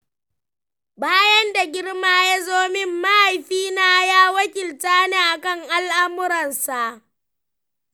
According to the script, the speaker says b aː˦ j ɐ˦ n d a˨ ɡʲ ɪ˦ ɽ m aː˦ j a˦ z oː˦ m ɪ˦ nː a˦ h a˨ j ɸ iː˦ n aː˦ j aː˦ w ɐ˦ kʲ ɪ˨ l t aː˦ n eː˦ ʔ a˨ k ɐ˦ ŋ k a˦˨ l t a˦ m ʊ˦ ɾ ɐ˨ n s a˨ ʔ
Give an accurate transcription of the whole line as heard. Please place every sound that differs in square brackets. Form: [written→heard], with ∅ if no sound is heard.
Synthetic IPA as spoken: b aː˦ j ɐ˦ n d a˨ ɡʲ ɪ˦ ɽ m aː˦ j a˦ z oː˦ m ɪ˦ [nː→mː] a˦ h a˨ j ɸ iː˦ n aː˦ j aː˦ w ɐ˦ kʲ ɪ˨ l t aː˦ n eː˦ ʔ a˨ k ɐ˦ ŋ [k→ʔ] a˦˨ l [t→ʔ] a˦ m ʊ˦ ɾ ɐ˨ n s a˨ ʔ